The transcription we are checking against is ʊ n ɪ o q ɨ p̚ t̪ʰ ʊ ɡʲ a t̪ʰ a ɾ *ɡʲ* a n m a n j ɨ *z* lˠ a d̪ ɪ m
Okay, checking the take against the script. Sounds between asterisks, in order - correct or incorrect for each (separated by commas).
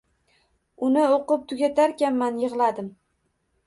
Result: incorrect, incorrect